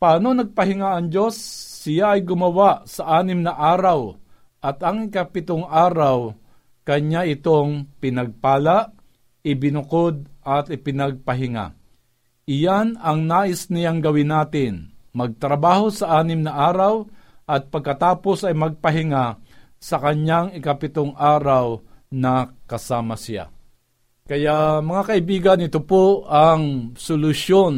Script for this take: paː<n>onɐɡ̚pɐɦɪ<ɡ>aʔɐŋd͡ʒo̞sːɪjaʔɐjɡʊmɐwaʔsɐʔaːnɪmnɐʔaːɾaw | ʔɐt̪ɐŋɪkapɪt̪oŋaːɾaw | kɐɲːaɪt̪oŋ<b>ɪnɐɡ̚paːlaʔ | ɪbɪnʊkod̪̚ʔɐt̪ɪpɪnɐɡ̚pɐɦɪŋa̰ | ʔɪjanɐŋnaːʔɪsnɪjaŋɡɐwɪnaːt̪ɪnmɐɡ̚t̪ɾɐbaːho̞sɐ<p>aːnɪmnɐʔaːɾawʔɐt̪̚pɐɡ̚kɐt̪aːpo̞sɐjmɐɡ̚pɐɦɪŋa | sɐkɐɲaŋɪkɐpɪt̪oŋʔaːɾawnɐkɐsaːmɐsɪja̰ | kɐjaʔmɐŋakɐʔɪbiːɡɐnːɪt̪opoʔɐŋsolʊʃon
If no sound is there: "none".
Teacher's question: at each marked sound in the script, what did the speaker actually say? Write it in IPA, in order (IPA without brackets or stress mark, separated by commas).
n, ŋ, p, ʔ